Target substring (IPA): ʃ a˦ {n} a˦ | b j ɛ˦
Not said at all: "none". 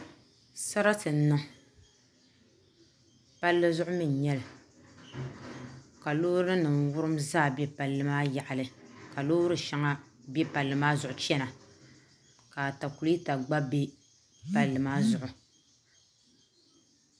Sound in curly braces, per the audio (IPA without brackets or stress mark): ŋ